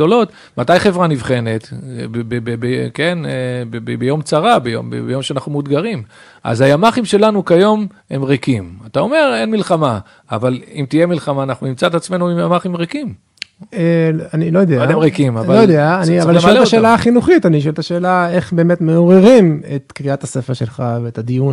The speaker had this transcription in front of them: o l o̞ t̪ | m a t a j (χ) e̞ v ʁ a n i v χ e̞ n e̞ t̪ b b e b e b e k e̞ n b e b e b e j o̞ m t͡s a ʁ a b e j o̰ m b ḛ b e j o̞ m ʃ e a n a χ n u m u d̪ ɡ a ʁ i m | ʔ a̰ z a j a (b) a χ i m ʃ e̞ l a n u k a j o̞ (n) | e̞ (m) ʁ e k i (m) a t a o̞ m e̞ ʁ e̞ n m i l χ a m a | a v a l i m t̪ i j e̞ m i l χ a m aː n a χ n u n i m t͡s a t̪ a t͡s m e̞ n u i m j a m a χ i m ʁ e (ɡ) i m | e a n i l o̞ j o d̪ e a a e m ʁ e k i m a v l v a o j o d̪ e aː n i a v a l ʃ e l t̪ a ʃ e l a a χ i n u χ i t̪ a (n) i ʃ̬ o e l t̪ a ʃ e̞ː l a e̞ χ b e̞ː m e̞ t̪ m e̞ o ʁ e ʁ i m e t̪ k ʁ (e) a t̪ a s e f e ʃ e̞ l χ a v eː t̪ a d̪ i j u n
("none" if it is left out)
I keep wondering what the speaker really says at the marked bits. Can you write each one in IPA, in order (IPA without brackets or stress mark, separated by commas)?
χ, m, m, m, m, k, n, i